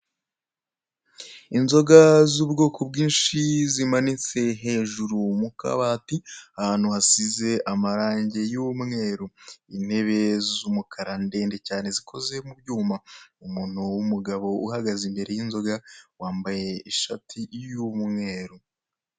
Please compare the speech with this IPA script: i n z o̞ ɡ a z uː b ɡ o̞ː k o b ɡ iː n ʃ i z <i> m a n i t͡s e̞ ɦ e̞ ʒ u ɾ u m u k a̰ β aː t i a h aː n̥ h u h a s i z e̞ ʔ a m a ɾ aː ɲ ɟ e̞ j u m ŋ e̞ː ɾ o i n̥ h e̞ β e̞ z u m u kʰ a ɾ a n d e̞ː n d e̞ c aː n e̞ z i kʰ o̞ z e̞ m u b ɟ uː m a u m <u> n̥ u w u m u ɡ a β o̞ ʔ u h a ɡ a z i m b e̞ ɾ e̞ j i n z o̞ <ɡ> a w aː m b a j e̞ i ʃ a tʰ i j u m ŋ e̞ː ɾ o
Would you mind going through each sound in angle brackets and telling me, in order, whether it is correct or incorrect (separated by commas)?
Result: correct, incorrect, correct